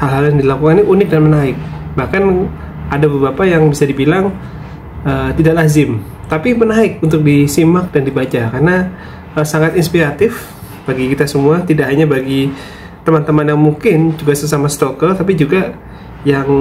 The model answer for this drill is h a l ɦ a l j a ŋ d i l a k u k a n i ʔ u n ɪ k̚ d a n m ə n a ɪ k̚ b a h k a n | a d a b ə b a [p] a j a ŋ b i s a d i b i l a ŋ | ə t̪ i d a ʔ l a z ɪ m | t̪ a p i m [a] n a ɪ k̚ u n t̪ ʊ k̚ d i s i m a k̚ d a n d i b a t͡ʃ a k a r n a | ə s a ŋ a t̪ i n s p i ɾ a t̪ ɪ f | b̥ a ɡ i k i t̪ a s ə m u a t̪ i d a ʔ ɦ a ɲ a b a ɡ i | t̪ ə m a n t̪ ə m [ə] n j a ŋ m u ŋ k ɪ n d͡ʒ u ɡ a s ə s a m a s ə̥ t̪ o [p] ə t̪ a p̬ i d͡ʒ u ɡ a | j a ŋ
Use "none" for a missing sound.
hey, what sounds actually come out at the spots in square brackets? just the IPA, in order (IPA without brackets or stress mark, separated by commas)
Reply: p, ə, a, k